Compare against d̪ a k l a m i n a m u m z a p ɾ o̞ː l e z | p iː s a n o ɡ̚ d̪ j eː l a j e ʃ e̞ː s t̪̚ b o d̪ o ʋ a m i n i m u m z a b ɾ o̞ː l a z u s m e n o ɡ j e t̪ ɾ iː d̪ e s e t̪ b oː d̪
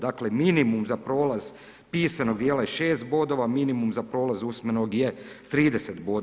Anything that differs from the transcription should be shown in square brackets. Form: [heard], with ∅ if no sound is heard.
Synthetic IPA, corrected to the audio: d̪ a k l [e] m i n [i] m u m z a p ɾ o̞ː l [a] z | p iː s a n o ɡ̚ d̪ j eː l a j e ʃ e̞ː s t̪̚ b o d̪ o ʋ a m i n i m u m z a [p] ɾ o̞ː l a z u s m e n o ɡ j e t̪ ɾ iː d̪ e s e t̪ b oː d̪